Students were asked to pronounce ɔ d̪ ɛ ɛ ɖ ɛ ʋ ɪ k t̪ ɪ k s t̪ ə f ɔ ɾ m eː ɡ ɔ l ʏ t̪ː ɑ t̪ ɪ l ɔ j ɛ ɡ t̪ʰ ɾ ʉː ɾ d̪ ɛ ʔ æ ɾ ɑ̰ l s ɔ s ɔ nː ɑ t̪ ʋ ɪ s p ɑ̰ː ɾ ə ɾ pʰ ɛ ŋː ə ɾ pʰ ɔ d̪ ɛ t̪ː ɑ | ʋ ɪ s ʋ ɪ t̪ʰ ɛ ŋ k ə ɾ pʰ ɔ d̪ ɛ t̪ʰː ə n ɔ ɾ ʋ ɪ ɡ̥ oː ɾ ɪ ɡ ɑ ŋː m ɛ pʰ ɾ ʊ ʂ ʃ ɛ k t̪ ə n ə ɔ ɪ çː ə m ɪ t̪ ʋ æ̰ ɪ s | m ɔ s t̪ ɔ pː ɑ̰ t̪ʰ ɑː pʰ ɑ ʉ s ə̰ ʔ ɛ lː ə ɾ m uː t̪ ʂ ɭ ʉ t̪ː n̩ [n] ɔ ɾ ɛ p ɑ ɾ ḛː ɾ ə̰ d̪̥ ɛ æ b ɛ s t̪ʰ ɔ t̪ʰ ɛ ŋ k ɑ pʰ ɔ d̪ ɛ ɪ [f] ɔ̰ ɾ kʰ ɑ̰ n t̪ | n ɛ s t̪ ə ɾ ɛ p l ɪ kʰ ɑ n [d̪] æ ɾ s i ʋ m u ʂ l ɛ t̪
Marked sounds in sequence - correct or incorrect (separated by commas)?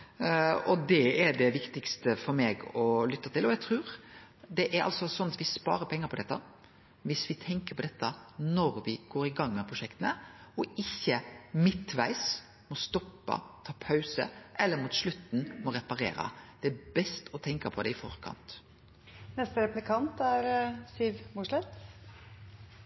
incorrect, correct, incorrect